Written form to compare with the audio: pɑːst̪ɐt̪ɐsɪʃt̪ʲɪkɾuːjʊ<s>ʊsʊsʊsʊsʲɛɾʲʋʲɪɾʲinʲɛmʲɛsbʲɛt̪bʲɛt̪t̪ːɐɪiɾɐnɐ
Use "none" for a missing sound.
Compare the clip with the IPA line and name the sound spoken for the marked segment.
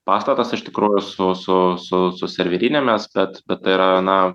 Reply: s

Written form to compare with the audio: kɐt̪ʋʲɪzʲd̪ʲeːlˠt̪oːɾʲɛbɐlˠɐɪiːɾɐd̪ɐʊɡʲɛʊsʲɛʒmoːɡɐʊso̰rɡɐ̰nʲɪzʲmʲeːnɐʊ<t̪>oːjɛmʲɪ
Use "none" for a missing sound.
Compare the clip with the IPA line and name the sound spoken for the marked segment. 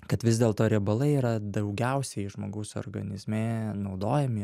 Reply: d̪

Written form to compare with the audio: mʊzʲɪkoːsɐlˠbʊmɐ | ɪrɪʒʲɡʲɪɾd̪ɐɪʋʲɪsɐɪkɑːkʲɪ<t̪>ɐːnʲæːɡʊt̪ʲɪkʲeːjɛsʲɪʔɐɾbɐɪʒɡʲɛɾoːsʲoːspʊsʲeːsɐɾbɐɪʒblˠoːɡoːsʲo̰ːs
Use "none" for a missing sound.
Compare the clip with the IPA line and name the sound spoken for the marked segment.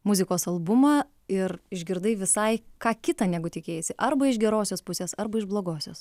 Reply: t̪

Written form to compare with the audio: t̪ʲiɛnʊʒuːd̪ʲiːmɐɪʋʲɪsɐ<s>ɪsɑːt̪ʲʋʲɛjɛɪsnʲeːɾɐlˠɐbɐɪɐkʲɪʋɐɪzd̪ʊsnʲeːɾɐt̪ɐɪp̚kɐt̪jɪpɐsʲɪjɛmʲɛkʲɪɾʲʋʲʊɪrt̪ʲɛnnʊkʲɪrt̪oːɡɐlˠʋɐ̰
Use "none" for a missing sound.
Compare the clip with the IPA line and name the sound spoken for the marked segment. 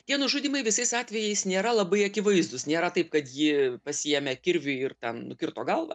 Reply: none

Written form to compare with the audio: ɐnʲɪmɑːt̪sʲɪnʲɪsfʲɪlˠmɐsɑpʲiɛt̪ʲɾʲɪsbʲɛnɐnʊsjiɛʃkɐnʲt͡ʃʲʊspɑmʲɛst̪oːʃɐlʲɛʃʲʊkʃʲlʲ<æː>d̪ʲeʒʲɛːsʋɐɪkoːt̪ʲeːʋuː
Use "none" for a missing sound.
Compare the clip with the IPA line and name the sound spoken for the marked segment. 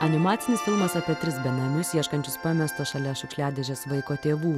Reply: æː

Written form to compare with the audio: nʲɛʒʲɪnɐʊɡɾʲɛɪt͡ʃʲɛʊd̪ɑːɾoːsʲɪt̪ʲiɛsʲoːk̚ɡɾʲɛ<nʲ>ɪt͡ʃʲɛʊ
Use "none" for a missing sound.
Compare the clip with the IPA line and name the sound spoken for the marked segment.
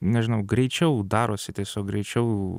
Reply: none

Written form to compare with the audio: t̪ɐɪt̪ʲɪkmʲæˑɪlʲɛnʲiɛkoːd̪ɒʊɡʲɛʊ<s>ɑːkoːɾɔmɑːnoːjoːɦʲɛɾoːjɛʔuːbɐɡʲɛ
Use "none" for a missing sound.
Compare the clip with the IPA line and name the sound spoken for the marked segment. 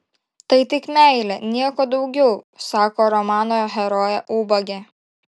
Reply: s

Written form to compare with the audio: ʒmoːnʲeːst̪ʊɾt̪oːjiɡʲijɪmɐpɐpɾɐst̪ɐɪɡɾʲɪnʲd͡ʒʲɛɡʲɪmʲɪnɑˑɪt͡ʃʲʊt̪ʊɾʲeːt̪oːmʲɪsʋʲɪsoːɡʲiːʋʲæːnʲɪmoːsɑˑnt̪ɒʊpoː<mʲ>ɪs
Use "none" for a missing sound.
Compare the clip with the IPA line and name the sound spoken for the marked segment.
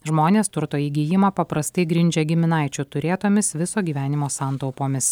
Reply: mʲ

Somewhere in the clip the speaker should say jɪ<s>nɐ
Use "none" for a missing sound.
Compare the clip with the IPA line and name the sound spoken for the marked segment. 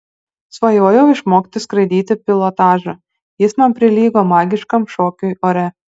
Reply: s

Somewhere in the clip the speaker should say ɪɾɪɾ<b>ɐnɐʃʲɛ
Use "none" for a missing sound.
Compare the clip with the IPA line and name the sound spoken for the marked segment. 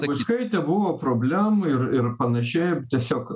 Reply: p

